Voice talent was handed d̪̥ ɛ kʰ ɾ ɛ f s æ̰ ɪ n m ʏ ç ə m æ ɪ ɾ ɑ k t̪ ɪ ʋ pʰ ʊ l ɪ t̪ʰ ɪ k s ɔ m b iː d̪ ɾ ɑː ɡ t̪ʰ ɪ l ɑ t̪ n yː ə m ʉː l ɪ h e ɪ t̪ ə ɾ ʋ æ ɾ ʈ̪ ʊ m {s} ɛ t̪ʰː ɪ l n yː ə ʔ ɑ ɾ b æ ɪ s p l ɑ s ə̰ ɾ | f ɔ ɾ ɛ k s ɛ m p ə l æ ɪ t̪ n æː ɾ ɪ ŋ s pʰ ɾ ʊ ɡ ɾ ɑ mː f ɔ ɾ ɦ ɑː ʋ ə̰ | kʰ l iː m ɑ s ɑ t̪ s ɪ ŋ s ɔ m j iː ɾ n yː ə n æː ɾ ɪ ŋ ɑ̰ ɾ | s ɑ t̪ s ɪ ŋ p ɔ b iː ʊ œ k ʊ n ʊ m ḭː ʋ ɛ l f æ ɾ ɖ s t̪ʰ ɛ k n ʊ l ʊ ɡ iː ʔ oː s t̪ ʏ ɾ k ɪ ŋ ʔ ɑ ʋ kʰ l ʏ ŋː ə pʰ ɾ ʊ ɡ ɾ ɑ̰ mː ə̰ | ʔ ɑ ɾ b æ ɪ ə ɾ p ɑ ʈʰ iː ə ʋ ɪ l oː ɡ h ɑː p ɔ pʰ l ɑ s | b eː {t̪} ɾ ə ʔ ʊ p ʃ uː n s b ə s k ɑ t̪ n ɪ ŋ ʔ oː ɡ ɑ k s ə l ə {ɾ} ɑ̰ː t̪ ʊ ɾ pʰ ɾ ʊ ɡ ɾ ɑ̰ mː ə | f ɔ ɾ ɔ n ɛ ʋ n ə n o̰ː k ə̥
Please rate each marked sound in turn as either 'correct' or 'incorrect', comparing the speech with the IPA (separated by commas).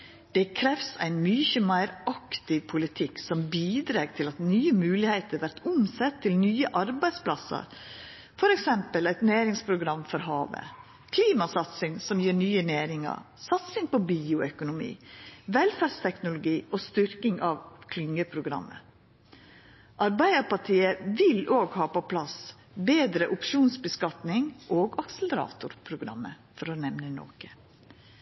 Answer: correct, incorrect, correct